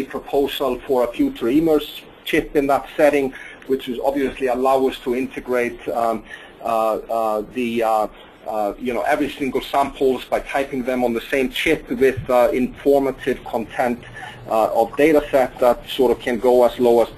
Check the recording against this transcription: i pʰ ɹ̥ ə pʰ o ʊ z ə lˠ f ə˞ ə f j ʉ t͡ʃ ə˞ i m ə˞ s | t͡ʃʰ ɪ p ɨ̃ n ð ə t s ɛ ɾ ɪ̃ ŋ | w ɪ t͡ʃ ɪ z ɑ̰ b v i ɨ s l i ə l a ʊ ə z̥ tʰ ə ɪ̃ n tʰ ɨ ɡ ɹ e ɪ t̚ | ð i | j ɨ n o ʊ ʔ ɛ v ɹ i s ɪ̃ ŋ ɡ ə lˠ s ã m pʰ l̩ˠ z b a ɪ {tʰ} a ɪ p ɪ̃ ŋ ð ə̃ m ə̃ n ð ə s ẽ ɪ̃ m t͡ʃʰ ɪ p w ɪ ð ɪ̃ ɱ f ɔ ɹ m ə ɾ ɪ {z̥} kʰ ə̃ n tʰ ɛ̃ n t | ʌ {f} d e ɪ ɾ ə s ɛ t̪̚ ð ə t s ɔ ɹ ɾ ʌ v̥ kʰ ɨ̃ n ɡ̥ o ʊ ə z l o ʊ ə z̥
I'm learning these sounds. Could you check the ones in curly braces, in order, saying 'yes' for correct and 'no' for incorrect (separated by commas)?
yes, no, no